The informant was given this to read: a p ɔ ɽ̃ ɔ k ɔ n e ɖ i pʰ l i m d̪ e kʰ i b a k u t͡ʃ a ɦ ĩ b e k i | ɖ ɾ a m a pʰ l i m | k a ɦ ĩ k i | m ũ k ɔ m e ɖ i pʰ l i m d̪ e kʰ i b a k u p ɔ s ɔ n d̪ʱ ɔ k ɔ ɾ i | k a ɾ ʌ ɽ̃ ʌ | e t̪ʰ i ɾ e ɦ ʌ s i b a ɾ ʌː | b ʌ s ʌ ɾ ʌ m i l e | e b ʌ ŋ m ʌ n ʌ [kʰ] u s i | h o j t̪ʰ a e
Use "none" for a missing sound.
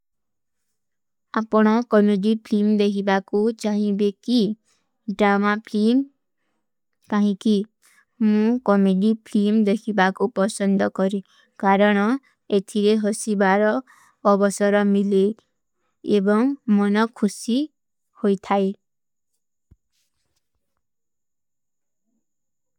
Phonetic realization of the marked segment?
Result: kʰ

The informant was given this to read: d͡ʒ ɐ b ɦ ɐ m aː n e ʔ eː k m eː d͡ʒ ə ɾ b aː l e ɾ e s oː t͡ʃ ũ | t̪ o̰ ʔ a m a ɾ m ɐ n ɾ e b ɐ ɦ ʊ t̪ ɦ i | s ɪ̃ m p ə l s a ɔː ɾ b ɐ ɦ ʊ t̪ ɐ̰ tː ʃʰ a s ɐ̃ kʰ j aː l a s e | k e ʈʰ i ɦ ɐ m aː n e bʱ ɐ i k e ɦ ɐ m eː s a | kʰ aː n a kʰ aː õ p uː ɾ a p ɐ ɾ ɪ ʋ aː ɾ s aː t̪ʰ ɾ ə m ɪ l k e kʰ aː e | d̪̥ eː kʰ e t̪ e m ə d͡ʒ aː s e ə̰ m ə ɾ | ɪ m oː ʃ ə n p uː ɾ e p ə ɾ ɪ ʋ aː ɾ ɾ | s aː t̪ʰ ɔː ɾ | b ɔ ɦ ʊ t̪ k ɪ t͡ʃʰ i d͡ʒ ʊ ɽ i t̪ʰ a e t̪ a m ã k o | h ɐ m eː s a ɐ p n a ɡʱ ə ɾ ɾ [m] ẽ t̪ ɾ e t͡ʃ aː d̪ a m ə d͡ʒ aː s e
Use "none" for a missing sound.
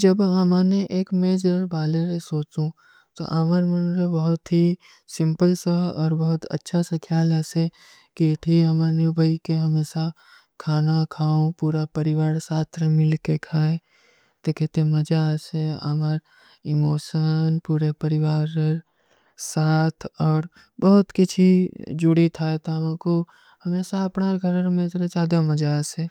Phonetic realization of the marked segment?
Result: m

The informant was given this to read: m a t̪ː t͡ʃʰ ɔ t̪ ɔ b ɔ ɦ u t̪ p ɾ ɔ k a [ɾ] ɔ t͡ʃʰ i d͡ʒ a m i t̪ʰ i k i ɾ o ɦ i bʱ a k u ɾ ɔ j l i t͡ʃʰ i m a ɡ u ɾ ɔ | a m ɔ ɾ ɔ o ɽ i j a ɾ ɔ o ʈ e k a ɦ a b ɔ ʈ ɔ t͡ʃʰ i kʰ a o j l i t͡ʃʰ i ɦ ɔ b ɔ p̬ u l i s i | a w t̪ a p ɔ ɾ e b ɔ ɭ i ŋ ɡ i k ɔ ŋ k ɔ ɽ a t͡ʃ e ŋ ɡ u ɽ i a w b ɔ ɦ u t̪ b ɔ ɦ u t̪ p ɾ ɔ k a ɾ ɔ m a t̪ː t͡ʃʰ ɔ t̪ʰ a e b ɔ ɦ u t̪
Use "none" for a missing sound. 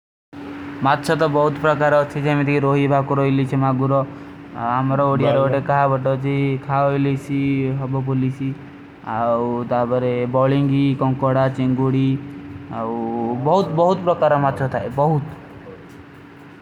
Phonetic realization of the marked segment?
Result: ɾ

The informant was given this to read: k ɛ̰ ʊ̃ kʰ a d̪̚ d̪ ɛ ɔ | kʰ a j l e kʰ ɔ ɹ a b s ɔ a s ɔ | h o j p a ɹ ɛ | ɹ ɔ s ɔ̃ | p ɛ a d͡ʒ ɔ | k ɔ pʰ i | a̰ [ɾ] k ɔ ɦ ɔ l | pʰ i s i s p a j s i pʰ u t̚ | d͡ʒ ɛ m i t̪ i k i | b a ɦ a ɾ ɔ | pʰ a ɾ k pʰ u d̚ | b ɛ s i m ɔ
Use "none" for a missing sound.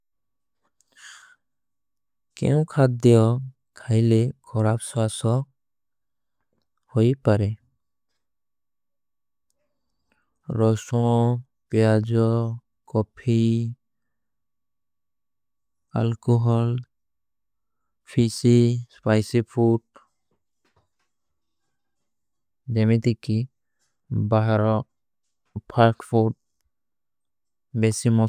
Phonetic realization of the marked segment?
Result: l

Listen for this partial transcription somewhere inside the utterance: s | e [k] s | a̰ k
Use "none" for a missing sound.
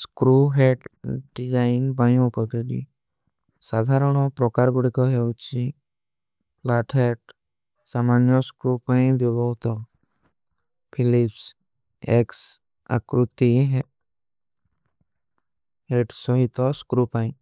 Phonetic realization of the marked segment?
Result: k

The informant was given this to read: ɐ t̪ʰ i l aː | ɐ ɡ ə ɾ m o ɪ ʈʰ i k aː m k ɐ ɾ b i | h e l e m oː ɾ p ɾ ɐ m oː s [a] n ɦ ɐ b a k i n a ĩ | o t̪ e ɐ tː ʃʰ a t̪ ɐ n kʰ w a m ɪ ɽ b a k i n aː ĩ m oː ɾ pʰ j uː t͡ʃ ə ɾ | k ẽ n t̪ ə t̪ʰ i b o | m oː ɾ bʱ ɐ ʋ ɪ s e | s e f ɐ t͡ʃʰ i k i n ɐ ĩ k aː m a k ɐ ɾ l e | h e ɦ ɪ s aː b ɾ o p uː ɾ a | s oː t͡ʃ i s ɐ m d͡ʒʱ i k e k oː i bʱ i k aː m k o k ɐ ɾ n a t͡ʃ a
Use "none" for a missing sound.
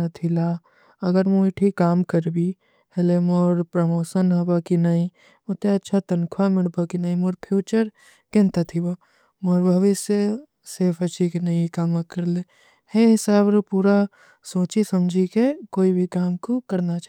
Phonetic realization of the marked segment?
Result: ə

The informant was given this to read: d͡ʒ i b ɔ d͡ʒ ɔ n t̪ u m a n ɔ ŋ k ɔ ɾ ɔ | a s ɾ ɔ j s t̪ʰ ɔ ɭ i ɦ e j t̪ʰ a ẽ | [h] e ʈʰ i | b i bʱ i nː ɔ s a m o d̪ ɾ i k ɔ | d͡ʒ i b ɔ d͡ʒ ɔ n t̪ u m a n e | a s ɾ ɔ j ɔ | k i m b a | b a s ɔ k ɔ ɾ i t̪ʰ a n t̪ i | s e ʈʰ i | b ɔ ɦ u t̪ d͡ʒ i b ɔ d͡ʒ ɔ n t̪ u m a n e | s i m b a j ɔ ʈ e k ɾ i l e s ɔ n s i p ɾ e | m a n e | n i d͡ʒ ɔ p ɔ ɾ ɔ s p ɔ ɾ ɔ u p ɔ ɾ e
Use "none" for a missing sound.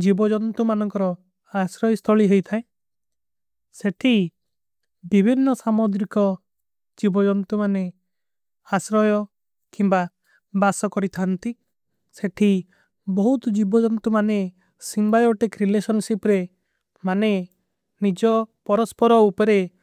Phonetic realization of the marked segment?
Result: s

